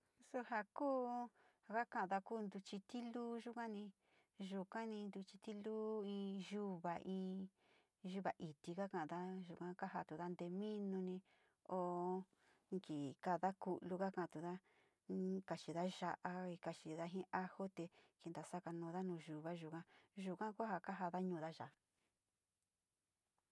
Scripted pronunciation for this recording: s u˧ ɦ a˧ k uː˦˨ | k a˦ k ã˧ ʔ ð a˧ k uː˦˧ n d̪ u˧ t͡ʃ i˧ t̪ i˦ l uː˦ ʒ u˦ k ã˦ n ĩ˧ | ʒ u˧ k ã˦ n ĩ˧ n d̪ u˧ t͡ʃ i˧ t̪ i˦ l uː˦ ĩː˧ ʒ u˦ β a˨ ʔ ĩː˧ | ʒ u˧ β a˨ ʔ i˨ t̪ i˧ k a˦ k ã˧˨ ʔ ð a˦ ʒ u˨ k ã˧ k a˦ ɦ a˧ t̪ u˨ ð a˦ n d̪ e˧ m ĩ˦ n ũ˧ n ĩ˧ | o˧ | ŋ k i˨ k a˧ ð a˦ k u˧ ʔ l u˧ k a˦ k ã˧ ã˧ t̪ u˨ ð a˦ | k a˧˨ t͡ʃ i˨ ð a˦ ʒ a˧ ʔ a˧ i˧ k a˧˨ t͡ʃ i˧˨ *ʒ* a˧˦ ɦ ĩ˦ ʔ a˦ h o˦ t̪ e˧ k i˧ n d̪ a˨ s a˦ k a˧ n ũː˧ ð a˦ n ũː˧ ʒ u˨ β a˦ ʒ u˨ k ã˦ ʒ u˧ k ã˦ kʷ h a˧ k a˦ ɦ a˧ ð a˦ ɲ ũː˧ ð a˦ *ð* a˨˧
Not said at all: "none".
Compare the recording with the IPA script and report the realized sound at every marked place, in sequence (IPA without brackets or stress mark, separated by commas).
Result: ð, ʒ